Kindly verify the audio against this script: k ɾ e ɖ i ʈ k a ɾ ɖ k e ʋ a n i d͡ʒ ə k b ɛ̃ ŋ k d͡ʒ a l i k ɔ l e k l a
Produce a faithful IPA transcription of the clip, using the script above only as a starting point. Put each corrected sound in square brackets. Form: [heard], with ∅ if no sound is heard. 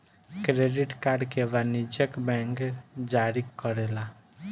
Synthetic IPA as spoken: k ɾ e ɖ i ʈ k a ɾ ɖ k e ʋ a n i d͡ʒ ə k b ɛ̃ ŋ k d͡ʒ a [ɾ] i k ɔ [ɾ] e [∅] l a